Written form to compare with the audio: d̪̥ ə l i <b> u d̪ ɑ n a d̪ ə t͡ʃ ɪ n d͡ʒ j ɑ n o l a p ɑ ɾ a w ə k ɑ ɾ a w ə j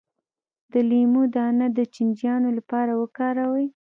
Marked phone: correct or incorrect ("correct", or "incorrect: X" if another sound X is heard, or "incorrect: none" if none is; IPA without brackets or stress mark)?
incorrect: m